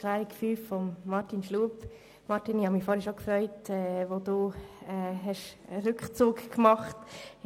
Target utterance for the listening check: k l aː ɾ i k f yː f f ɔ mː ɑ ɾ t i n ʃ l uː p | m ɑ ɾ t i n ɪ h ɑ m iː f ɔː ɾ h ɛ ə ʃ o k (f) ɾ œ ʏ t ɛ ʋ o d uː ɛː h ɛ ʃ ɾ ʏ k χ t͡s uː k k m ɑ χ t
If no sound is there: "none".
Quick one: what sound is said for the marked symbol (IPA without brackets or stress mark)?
f